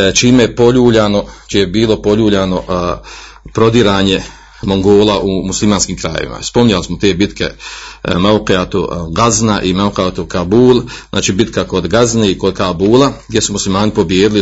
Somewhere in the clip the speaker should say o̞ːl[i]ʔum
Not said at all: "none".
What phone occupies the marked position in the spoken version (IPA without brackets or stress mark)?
a